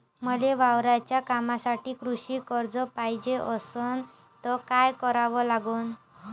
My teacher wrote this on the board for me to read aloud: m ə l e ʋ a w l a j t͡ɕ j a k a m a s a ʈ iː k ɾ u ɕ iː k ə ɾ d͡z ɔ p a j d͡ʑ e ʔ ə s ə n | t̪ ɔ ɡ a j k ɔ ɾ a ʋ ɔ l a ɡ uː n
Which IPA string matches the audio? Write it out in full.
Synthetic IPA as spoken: m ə l e ʋ a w ɾ a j t͡ɕ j a k a m a s a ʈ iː k ɾ u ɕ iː k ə ɾ d͡z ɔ p a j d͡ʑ e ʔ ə s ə n | t̪ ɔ k a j k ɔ ɾ a ʋ ɔ l a ɡ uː n